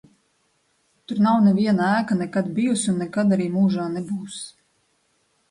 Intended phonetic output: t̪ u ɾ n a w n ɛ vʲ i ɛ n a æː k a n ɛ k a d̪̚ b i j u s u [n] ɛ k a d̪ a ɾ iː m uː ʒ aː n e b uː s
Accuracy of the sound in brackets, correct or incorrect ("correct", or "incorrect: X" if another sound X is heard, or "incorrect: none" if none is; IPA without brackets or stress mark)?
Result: incorrect: nː